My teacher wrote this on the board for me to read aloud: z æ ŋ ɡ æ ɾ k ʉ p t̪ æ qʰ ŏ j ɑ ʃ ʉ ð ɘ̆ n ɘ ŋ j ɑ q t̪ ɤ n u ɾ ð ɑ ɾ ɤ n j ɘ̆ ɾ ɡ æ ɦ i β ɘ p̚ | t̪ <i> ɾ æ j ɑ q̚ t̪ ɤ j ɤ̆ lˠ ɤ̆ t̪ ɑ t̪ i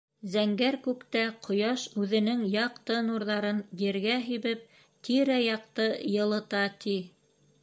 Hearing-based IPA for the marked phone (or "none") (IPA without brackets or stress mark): i